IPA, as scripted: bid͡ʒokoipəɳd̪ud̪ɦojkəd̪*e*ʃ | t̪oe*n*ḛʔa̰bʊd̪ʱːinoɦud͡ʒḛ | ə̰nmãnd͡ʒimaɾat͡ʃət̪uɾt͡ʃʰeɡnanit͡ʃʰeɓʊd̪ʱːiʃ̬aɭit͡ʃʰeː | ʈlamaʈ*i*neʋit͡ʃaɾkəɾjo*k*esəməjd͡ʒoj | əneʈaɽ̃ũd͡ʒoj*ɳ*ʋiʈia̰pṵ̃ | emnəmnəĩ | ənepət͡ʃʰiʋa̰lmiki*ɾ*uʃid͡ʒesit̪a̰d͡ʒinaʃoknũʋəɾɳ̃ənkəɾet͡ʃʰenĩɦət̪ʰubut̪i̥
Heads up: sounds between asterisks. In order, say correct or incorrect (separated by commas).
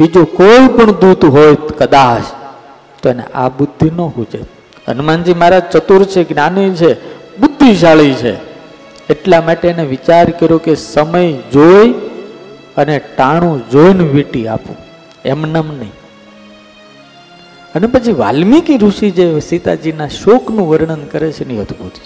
incorrect, correct, incorrect, correct, incorrect, correct